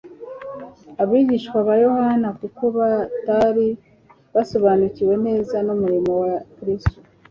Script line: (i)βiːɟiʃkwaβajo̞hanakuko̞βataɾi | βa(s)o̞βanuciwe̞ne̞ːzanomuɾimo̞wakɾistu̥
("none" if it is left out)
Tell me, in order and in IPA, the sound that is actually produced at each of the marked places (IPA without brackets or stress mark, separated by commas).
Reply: a, s